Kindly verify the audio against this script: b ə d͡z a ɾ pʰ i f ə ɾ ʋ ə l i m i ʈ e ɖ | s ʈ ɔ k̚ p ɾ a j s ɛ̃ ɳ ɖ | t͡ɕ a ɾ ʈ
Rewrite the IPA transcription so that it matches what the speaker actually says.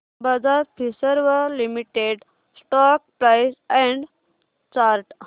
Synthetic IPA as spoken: b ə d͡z a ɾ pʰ i s ə ɾ ʋ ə l i m i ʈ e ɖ | s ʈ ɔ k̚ p ɾ a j s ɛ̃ ɳ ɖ | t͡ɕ a ɾ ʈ